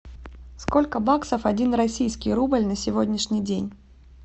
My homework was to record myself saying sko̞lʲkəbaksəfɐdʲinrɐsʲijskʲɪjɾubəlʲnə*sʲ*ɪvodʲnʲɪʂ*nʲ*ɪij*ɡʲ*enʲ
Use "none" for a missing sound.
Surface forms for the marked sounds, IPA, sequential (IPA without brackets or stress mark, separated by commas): sʲ, nʲ, dʲ